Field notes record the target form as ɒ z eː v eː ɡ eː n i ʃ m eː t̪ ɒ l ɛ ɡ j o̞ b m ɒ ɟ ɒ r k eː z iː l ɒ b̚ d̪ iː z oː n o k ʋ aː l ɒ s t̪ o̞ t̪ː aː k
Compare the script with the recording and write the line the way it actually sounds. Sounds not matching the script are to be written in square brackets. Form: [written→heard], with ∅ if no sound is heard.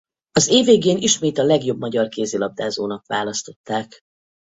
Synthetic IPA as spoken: ɒ z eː v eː ɡ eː n i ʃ m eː t̪ ɒ l ɛ ɡ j o̞ b m ɒ ɟ ɒ r k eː z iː l ɒ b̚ d̪ [iː→aː] z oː n [o→ɒ] k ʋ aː l ɒ s t̪ o̞ t̪ː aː k